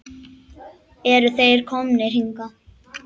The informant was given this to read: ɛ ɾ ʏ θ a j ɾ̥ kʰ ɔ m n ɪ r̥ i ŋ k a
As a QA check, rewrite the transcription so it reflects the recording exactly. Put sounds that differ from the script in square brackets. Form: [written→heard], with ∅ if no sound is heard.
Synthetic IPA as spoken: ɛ ɾ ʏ θ [a→e] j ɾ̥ kʰ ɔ m n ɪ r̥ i ŋ k a